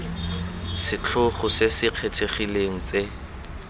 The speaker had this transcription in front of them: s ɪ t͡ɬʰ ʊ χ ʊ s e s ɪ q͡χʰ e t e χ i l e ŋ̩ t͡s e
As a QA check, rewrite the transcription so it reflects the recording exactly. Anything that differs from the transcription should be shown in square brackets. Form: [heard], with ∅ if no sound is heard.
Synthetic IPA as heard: s ɪ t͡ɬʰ ʊ χ ʊ s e s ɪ q͡χʰ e [tʰ] e χ i l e ŋ̩ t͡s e